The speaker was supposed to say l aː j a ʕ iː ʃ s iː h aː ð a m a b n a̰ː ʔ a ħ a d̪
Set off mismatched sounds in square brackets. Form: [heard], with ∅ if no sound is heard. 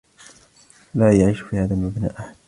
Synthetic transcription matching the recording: l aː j a ʕ iː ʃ [f] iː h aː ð a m a b n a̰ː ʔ a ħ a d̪